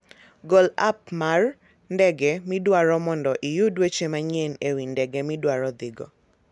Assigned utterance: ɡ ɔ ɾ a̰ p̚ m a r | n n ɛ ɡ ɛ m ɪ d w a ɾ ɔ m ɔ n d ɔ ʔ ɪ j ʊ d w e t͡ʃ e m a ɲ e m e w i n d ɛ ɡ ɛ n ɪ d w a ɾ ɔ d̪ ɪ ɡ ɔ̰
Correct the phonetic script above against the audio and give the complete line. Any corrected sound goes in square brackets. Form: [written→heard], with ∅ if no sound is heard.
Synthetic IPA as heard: ɡ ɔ [ɾ→l] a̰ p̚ m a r | n [n→d] ɛ ɡ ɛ m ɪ d w a ɾ ɔ m ɔ n d ɔ ʔ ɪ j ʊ d w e t͡ʃ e m a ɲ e [m→n] e w i n d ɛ ɡ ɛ [n→m] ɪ d w a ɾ ɔ d̪ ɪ ɡ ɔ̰